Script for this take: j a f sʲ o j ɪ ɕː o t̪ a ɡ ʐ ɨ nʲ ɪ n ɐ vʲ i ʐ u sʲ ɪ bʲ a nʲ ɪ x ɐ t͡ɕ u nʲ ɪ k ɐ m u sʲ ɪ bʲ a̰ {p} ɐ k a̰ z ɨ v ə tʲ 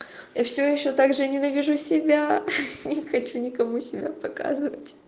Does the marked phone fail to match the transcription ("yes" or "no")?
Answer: no